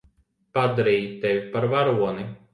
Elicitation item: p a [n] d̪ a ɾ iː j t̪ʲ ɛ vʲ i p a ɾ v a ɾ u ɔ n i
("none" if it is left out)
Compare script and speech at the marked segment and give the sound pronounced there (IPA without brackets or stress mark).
none